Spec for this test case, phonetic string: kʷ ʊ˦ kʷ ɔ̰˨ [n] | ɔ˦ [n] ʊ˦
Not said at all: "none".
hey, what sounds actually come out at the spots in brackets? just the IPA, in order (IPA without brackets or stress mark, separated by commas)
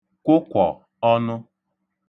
none, n